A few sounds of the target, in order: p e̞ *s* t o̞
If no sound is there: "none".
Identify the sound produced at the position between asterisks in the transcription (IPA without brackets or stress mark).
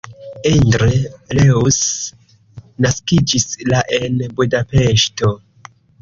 ʃ